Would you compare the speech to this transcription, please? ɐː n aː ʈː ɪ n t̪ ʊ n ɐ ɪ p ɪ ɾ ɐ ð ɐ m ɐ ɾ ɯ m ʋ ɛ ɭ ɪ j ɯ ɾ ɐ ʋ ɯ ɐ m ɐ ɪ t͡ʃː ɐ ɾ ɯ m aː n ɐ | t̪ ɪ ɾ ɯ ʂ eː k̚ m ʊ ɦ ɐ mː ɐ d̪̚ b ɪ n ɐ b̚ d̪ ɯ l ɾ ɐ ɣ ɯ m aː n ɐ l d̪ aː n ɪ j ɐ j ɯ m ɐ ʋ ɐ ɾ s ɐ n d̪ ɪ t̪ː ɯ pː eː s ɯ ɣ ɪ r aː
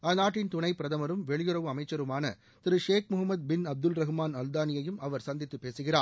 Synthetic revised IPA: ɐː n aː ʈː ɪ n t̪ ʊ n ɐ ɪ p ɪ ɾ ɐ ð ɐ m ɐ ɾ ɯ m ʋ ɛ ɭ ɪ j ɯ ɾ ɐ ʋ ɯ ɐ m ɐ ɪ t͡ʃː ɐ ɾ ɯ m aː n ɐ | t̪ ɪ ɾ ɯ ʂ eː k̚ m ʊ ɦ ɐ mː ɐ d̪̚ b ɪ n ɐ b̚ d̪ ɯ l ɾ ɐ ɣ ɯ m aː n ɐ l d̪ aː n ɪ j ɐ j ɯ m ɐ ʋ ɐ ɾ s ɐ n d̪ ɪ t̪ː ɯ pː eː s ɯ ɣ ɪ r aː